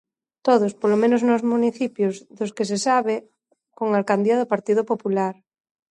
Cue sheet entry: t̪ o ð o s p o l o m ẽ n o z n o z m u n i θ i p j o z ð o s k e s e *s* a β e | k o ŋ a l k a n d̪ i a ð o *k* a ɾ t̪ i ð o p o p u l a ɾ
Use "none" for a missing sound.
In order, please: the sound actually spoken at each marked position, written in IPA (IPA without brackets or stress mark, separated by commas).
s, p